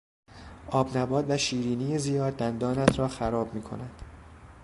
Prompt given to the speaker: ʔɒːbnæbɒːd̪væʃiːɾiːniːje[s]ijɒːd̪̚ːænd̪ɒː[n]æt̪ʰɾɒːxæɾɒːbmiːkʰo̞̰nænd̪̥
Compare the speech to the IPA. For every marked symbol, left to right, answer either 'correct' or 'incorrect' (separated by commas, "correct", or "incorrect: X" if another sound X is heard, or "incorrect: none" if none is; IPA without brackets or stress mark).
incorrect: z, correct